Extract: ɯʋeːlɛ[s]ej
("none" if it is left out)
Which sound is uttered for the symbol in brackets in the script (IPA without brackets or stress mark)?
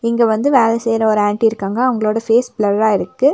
s